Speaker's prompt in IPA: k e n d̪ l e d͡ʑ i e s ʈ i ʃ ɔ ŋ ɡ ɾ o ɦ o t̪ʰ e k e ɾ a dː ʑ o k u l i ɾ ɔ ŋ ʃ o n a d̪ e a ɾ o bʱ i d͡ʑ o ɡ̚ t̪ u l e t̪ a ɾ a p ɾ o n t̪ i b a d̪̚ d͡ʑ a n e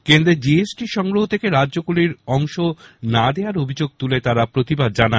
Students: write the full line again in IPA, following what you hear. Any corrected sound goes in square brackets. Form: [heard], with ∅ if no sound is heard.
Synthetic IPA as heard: k e n d̪ [ɾ] e d͡ʑ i e s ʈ i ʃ ɔ ŋ ɡ ɾ o ɦ o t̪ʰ e k e ɾ a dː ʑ o k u l i ɾ ɔ ŋ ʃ o n a d̪ e a ɾ o bʱ i d͡ʑ o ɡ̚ t̪ u l e t̪ a ɾ a p ɾ o [∅] t̪ i b a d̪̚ d͡ʑ a n [a]